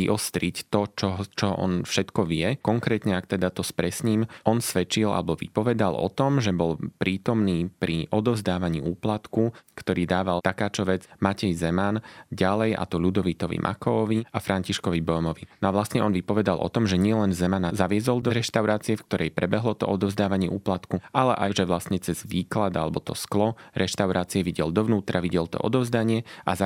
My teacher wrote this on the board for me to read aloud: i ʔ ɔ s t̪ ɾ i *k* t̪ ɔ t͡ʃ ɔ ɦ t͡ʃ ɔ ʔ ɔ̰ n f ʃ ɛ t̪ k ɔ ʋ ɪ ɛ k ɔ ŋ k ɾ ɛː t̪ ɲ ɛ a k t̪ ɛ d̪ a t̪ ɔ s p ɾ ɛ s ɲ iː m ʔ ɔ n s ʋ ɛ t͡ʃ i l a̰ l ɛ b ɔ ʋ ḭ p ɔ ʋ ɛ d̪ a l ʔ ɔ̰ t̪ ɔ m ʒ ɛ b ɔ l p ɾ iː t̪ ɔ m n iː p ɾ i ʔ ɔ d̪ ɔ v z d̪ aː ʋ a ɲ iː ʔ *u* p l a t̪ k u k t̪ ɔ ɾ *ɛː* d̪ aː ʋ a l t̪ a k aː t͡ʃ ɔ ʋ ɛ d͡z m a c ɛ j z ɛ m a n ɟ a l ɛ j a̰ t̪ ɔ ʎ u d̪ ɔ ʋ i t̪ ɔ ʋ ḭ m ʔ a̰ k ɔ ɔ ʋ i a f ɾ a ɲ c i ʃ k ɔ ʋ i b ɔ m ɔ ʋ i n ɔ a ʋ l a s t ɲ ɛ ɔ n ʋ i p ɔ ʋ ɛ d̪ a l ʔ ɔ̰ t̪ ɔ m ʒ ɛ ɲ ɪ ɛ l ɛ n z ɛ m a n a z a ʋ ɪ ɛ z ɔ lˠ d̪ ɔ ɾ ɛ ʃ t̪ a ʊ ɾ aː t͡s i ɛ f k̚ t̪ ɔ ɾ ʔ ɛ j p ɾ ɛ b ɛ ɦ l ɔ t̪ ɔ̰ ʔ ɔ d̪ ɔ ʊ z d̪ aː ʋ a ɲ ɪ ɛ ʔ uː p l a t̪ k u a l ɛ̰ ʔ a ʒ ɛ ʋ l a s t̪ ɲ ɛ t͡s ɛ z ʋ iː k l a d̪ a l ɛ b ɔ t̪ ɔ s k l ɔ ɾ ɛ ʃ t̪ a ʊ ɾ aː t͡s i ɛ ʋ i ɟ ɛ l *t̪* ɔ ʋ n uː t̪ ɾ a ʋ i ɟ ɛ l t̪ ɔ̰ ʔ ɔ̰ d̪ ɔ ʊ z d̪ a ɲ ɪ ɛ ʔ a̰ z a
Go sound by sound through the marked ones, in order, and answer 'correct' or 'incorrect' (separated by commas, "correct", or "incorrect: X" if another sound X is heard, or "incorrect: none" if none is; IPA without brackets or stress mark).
incorrect: c, incorrect: uː, incorrect: iː, incorrect: d̪